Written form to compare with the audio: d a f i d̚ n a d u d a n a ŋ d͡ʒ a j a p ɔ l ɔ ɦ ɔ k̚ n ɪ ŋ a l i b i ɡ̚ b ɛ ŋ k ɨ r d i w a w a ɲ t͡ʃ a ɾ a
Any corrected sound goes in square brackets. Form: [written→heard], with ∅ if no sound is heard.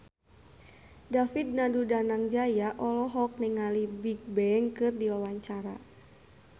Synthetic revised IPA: d a f i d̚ n a d u d a n a ŋ d͡ʒ a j a [p→ʔ] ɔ l ɔ ɦ ɔ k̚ n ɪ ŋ a l i b i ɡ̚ b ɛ ŋ k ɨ r d i w a w a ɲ t͡ʃ a ɾ a

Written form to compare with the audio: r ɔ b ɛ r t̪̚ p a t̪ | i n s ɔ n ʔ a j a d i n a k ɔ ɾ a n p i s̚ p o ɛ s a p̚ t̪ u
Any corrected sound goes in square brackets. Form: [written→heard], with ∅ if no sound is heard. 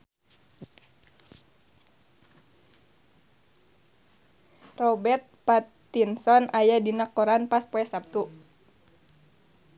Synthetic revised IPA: r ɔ b ɛ r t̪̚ p a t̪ | i n s ɔ n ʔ a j a d i n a k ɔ ɾ a n p [i→a] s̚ p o ɛ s a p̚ t̪ u

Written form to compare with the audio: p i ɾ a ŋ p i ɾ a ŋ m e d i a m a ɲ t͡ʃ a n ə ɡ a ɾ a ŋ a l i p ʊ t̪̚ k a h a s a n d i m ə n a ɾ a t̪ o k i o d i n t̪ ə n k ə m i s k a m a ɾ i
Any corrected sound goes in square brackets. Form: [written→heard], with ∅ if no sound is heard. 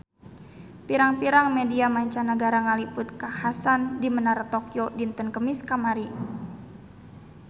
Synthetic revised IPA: p i ɾ a ŋ p i ɾ a ŋ m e d i a m a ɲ t͡ʃ a n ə ɡ a ɾ a ŋ a l i p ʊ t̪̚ k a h a s a n d i m ə n a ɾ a t̪ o k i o d i n t̪ ə n k ə m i s k a m a ɾ i

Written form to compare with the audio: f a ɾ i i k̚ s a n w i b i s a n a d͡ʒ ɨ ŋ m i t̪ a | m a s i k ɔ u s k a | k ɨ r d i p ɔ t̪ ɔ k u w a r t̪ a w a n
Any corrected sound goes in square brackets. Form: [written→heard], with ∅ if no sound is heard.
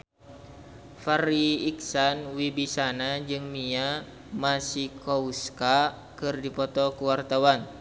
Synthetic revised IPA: f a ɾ i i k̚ s a n w i b i s a n a d͡ʒ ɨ ŋ m i [t̪→∅] a | m a s i k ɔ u s k a | k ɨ r d i p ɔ t̪ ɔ k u w a r t̪ a w a n

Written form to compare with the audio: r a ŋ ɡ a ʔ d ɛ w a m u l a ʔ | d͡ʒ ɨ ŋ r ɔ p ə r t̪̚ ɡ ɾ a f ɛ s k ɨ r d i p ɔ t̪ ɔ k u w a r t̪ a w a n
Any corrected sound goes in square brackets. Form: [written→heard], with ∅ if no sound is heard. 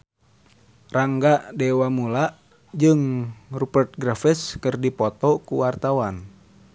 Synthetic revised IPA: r a ŋ ɡ a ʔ d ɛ w a m u l a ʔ | d͡ʒ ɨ ŋ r [ɔ→u] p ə r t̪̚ ɡ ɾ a f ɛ s k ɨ r d i p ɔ t̪ ɔ k u w a r t̪ a w a n

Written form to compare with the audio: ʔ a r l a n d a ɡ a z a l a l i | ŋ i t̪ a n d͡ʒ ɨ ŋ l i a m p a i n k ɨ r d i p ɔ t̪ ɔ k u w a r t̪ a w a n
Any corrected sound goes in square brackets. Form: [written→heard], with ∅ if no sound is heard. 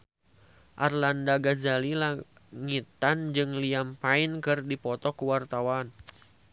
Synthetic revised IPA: ʔ a r l a n d a ɡ a z a l [a→i] l [i→a] | ŋ i t̪ a n d͡ʒ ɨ ŋ l i a m p a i n k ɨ r d i p ɔ t̪ ɔ k u w a r t̪ a w a n

